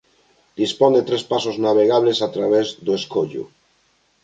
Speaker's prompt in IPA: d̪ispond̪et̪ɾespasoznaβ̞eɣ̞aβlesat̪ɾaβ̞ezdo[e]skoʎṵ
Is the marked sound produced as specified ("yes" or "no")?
yes